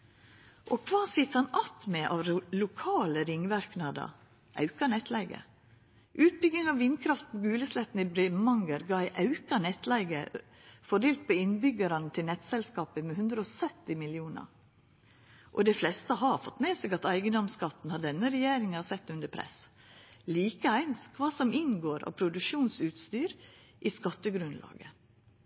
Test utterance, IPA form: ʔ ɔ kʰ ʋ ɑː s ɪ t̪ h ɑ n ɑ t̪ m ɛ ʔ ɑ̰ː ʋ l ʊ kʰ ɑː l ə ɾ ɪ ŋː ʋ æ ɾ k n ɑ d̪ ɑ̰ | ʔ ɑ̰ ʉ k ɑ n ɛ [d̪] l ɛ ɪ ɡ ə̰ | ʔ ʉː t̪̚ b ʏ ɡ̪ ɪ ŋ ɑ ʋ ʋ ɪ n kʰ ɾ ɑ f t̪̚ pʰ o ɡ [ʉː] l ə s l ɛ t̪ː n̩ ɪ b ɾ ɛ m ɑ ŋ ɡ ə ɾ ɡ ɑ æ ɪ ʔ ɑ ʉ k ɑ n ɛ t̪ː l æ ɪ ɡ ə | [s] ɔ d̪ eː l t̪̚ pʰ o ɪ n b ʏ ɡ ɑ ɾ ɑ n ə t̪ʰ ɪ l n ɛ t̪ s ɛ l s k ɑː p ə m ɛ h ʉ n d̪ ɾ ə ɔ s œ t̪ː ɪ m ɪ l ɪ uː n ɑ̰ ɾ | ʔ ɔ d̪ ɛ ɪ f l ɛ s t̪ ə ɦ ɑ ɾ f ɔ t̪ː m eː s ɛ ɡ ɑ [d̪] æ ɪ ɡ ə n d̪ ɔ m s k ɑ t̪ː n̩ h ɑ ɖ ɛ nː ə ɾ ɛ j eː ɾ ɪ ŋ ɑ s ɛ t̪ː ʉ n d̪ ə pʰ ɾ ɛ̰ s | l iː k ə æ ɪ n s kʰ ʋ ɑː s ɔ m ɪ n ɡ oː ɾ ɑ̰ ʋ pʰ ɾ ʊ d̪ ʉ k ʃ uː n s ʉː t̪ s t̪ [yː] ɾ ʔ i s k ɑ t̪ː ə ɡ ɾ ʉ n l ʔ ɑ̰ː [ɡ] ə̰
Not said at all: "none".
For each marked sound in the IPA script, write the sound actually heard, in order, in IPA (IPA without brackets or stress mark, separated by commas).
t̪, ʉː, f, t̪, yː, ɡ